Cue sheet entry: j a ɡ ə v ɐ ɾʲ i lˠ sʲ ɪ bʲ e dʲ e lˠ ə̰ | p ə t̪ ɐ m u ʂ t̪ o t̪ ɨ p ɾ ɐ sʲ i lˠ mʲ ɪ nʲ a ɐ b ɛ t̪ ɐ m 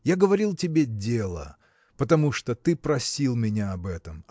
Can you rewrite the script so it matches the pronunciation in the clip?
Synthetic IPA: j a ɡ ə v ɐ ɾʲ i lˠ tʲ ɪ bʲ e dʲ e lˠ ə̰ | p ə t̪ ɐ m u ʂ t̪ o t̪ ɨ p ɾ ɐ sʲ i lˠ mʲ ɪ nʲ a ɐ b ɛ t̪ ə m